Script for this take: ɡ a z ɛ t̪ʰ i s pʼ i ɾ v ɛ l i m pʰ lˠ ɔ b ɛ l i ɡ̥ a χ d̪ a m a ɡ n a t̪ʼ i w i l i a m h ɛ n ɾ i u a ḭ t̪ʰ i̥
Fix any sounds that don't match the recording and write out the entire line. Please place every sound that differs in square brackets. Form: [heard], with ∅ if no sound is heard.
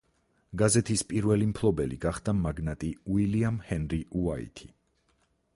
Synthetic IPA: ɡ a z ɛ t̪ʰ i s pʼ i ɾ v ɛ l i m pʰ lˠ ɔ b ɛ l i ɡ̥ a χ d̪ a m a ɡ n a t̪ʼ i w i l i a m h ɛ n ɾ i u a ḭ t̪ʰ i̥